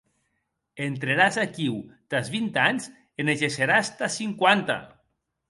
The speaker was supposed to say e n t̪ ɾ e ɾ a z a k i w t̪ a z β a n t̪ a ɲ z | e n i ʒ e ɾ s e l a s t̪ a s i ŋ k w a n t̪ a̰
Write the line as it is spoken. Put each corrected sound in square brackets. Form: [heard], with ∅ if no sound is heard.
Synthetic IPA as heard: e n t̪ ɾ e ɾ a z a k i w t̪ a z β [i] n t̪ a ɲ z | e n [e] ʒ e [∅] s e [ɾ] a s t̪ a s i ŋ k w a n t̪ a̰